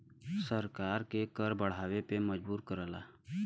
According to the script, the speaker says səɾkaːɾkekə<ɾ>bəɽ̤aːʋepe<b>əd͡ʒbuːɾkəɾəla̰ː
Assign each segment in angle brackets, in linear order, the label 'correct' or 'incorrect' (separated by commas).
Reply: correct, incorrect